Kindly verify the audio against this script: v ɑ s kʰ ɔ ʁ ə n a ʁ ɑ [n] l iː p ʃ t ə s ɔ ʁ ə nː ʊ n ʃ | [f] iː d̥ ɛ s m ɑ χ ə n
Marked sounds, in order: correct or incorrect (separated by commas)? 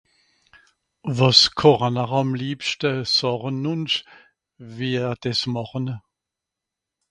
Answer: incorrect, incorrect